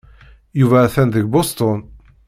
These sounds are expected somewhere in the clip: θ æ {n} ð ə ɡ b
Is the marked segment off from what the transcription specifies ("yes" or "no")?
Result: no